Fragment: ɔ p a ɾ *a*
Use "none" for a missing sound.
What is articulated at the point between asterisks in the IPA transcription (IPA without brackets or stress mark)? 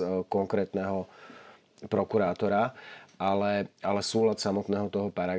a